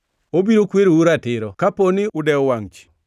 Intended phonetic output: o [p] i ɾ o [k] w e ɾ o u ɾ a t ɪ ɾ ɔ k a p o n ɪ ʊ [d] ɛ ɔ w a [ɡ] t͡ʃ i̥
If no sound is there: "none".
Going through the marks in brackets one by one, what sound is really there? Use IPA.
b, k, d, ŋ

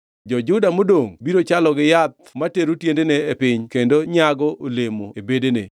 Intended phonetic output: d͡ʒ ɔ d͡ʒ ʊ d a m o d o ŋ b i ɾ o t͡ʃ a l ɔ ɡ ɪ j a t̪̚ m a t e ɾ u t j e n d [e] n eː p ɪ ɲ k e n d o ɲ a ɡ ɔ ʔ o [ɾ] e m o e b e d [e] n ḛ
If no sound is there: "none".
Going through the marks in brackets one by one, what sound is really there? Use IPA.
e, l, e

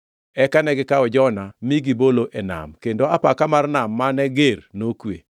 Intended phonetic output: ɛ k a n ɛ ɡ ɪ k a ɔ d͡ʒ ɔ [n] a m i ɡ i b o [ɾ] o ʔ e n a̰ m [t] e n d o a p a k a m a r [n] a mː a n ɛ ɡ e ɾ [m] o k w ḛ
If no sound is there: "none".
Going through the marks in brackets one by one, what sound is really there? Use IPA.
n, l, k, n, n

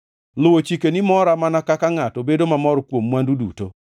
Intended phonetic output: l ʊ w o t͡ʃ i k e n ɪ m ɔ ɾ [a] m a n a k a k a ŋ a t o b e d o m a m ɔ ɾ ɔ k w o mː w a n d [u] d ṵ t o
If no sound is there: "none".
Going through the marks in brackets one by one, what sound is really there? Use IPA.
a, u

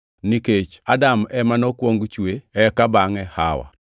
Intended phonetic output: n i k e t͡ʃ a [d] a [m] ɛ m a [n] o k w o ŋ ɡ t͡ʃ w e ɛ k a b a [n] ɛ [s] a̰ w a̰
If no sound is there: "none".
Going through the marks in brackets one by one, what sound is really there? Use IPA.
d, m, n, ŋ, h

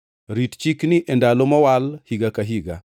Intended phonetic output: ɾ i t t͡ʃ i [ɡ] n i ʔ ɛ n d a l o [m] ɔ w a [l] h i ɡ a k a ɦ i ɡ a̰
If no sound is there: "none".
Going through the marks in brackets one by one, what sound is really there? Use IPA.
k, m, l

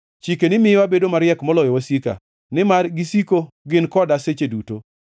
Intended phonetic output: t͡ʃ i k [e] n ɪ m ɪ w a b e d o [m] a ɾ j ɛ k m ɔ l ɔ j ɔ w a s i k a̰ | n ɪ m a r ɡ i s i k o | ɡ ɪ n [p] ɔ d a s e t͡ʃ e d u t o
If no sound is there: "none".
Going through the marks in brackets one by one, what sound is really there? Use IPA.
e, m, k

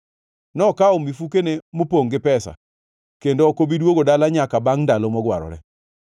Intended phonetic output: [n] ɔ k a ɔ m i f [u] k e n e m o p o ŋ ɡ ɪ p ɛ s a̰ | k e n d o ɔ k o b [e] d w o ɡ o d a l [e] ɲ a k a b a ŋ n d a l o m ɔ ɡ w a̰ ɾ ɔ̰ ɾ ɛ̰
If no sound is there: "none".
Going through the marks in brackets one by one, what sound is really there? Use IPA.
n, u, i, a

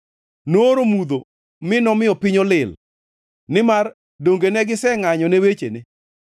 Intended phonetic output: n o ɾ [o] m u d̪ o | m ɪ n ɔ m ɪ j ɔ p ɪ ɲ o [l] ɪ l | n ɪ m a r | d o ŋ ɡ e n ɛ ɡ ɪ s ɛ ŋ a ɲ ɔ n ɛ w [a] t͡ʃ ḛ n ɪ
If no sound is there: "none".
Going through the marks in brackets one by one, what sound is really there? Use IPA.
o, l, e

